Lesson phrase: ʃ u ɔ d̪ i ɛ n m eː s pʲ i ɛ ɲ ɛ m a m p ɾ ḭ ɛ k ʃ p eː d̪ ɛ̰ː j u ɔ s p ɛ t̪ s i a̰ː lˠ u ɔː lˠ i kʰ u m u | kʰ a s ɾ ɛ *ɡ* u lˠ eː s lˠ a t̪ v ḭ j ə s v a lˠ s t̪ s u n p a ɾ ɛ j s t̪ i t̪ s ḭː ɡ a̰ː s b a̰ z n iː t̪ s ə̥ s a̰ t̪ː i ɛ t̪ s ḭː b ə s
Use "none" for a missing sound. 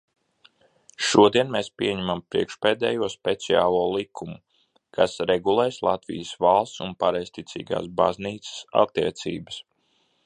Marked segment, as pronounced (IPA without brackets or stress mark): ɡ